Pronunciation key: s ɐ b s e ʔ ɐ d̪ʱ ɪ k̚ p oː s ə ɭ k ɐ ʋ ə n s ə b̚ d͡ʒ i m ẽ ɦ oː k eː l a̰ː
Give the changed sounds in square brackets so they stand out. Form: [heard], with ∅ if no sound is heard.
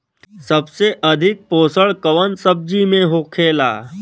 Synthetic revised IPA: s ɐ b s e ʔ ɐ d̪ʱ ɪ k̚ p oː s ə ɭ k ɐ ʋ ə n s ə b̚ d͡ʒ i m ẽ ɦ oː [kʰ] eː l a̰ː